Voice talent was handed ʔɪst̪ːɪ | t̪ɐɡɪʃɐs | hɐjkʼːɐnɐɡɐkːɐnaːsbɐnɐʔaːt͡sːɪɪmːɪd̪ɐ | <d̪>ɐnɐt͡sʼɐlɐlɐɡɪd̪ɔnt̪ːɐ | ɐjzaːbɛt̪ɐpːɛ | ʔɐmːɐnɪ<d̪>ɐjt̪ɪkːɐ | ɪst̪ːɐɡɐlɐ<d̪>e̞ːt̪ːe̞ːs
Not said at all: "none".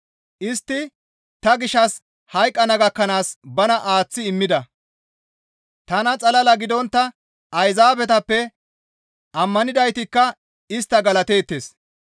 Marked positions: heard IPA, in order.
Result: t̪, d̪, t̪

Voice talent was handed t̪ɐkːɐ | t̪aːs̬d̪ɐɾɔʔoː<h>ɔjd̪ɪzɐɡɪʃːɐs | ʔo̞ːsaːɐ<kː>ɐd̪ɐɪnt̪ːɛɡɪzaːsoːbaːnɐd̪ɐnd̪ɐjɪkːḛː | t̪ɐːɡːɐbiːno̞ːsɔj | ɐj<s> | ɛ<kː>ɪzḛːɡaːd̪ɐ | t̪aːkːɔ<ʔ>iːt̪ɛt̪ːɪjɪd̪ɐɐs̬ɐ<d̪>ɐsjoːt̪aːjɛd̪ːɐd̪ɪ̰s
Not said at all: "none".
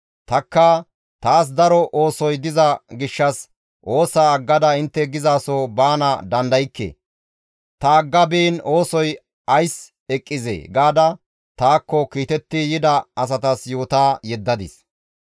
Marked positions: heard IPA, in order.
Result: s, ɡː, s, kʼː, k, t̪

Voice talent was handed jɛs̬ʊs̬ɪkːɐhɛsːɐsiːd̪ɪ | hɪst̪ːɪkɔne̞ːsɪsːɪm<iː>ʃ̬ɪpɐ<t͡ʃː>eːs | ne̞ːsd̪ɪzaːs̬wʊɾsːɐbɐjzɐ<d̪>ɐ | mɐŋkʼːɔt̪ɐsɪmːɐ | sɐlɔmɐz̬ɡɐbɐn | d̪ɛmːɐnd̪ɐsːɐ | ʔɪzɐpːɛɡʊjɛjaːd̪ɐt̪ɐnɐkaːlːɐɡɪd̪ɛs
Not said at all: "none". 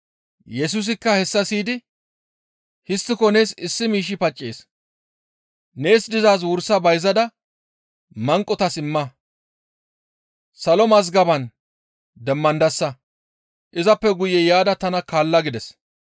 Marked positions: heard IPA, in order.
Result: iː, t͡ʃʼː, d̪

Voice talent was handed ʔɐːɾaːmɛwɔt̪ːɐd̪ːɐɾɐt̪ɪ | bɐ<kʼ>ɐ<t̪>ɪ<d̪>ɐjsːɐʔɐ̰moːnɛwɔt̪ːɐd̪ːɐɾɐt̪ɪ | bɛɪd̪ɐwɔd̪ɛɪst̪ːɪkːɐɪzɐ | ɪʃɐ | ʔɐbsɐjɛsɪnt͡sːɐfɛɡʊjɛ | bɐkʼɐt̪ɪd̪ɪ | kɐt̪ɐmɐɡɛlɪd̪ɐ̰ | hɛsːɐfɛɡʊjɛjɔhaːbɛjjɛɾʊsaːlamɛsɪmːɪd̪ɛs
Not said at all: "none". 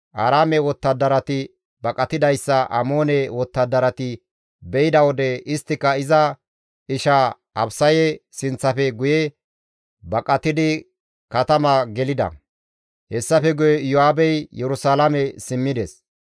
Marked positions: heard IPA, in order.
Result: kʼ, t̪, d̪

